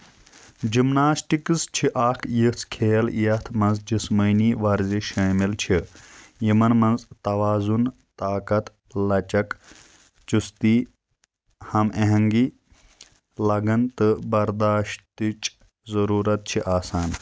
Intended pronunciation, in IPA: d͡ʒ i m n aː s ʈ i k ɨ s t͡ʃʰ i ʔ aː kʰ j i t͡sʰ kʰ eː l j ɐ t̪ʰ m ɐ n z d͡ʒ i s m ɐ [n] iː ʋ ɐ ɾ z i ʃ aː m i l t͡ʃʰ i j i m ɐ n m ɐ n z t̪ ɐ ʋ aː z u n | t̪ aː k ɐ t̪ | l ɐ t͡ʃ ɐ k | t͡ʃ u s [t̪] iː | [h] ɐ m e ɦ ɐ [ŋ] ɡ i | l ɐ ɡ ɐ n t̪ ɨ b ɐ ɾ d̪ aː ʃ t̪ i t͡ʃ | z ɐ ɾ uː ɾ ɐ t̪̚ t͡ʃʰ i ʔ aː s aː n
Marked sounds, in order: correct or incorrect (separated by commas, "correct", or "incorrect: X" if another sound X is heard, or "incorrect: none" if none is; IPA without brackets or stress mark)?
correct, correct, correct, correct